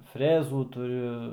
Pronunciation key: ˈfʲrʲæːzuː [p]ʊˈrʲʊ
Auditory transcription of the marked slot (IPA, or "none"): t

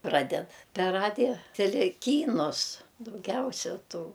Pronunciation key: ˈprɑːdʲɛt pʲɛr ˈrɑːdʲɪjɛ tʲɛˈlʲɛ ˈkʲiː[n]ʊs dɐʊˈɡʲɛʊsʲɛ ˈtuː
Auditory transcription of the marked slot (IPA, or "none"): n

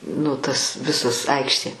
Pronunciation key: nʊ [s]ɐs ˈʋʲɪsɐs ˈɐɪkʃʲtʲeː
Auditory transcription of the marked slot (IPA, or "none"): t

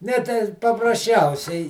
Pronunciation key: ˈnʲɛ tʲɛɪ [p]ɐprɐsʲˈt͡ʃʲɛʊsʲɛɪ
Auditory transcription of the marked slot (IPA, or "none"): p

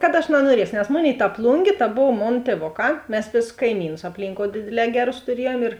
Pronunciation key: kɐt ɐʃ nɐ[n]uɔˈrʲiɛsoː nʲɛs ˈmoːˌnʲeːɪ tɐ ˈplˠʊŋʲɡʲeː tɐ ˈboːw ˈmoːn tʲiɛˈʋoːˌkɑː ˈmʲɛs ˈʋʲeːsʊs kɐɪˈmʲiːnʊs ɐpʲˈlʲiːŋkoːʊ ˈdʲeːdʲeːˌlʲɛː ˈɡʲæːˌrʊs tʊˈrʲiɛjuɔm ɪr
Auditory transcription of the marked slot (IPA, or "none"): n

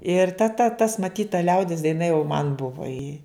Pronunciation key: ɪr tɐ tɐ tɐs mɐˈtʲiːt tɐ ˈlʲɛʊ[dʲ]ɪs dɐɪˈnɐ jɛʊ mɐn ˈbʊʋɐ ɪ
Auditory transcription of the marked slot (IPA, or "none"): dʲ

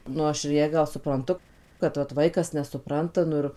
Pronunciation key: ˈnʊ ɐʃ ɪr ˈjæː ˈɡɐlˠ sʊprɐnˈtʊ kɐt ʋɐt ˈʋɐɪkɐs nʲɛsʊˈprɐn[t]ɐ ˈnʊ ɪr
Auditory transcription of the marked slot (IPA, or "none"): t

